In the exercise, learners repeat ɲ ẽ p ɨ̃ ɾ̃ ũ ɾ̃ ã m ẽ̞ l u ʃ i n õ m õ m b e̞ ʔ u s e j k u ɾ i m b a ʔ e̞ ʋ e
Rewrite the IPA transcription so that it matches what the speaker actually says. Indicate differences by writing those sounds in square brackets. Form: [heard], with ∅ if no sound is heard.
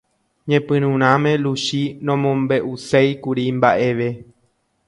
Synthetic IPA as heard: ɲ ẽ p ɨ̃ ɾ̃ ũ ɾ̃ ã m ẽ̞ l u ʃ i n õ m õ m b e̞ ʔ u s e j k u ɾ i m b a ʔ e̞ ʋ e